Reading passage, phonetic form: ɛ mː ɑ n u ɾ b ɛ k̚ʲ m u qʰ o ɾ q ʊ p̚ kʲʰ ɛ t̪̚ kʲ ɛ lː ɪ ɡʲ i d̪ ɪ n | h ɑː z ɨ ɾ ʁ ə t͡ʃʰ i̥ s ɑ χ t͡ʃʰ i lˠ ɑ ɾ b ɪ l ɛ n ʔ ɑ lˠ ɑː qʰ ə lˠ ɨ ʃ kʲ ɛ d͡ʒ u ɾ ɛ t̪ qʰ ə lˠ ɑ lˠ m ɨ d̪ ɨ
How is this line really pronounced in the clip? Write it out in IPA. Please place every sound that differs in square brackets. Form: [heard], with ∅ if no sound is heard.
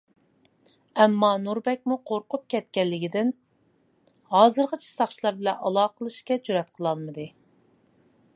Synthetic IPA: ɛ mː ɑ n u ɾ b ɛ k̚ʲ m u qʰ o ɾ q ʊ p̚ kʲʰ ɛ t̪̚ kʲ ɛ lː ɪ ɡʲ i d̪ ɪ n | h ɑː z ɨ ɾ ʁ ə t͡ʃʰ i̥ s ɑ χ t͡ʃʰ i lˠ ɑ ɾ b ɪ l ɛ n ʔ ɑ lˠ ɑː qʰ ə lˠ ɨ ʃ kʲ ɛ d͡ʒ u ɾ ɛ t̪ qʰ ə lˠ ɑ lˠ m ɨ d̪ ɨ